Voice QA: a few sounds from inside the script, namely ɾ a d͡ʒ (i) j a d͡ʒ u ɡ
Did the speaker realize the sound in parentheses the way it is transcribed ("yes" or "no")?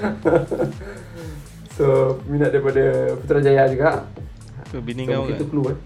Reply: no